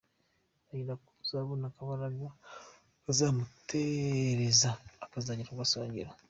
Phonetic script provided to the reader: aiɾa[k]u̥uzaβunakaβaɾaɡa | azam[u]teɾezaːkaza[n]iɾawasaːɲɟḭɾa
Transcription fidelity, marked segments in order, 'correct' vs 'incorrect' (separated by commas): correct, correct, incorrect